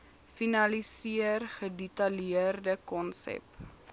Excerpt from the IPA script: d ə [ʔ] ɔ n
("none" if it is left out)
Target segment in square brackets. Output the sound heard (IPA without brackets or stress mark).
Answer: k